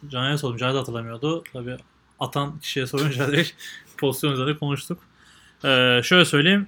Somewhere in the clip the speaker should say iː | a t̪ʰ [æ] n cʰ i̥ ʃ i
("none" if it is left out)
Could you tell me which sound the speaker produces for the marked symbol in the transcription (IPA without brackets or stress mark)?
a